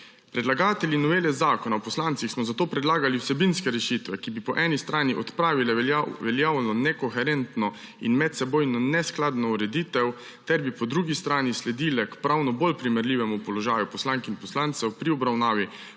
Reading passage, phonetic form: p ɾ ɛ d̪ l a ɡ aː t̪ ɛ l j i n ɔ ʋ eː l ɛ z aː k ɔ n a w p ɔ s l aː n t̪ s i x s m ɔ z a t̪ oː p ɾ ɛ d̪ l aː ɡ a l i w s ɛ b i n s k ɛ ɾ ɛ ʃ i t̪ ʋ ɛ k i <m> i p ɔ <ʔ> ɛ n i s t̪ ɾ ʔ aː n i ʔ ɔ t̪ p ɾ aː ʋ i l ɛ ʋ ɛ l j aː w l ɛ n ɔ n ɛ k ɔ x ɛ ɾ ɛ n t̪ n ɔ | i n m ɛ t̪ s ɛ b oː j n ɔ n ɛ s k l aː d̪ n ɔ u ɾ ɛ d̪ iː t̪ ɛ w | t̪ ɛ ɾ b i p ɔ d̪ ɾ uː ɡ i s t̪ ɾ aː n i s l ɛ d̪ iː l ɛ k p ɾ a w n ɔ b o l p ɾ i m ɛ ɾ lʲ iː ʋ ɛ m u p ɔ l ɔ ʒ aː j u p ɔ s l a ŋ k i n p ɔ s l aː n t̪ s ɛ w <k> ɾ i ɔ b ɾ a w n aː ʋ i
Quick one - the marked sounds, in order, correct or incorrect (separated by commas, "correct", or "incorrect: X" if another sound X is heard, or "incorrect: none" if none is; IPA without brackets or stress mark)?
incorrect: b, correct, incorrect: p